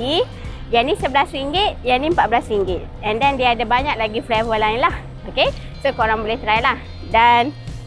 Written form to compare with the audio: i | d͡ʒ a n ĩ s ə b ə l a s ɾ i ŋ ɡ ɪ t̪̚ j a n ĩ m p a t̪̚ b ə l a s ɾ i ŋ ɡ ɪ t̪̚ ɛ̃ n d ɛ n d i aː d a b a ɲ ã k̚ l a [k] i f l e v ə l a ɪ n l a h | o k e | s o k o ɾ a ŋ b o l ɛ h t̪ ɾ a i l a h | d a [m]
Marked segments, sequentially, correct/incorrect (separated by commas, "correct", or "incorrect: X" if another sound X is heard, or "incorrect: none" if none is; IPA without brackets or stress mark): incorrect: ɡ, incorrect: n